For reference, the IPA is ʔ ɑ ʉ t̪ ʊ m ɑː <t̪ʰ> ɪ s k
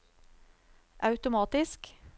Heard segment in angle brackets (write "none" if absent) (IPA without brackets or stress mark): t̪